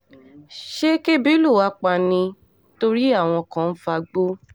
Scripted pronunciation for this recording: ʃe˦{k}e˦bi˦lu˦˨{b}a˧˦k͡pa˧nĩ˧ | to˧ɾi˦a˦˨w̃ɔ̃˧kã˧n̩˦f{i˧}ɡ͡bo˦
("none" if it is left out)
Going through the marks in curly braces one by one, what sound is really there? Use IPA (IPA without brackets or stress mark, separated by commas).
k, w, a˧